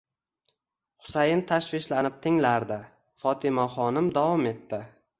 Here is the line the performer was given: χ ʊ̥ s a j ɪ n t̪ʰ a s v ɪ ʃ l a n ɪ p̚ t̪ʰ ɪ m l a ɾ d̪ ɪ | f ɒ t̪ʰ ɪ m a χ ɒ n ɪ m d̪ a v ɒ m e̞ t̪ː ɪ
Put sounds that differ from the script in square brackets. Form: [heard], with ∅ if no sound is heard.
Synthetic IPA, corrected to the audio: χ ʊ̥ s a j ɪ n t̪ʰ a [ʃ] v ɪ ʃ l a n ɪ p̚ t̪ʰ ɪ [ŋ] l a ɾ d̪ ɪ | f ɒ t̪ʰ ɪ m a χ ɒ n ɪ m d̪ a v ɒ m e̞ t̪ː ɪ